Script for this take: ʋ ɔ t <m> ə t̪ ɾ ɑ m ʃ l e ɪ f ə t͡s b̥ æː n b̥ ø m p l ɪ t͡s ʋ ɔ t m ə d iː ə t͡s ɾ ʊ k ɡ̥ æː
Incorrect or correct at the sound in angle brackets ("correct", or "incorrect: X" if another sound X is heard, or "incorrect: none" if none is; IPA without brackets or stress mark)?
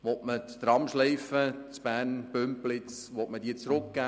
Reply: correct